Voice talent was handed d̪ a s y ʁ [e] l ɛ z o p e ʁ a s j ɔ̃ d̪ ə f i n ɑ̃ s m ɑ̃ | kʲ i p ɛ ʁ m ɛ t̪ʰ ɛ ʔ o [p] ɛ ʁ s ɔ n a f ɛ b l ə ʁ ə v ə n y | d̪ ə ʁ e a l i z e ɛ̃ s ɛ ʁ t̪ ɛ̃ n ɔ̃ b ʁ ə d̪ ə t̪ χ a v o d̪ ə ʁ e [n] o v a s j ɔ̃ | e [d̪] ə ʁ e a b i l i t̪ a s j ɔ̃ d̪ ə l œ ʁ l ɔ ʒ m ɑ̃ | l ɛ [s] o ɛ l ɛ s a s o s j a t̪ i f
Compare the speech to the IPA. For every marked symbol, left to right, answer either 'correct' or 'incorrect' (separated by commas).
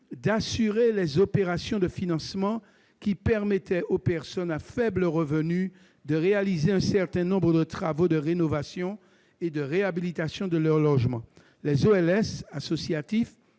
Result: correct, correct, correct, correct, incorrect